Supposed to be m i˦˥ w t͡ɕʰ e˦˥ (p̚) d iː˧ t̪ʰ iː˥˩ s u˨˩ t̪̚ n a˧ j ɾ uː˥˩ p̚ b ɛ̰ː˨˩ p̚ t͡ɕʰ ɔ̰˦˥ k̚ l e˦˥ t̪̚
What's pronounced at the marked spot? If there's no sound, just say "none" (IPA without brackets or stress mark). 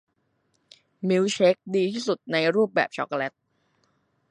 k̚